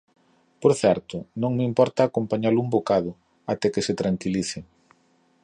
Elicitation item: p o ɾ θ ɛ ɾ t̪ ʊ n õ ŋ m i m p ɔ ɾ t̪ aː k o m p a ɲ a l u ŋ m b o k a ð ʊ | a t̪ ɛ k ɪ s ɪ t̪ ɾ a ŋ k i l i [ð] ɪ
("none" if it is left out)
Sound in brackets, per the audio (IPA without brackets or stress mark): θ